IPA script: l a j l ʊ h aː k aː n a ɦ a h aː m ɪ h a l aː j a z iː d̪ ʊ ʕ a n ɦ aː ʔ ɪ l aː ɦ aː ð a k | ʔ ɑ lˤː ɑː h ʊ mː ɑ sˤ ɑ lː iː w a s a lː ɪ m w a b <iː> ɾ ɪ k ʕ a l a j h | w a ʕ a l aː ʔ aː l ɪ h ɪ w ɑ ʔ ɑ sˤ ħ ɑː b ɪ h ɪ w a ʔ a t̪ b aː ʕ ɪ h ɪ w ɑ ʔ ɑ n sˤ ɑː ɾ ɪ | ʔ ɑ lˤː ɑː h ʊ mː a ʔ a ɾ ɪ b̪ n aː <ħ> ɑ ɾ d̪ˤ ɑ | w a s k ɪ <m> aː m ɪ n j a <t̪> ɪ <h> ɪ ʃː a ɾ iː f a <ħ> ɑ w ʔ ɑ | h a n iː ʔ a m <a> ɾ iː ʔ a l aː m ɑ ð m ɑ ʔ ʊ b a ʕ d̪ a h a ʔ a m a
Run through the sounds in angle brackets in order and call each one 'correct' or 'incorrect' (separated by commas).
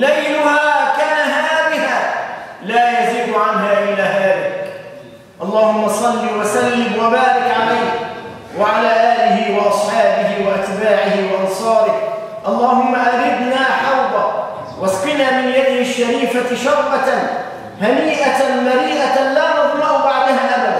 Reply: incorrect, correct, incorrect, incorrect, correct, incorrect, correct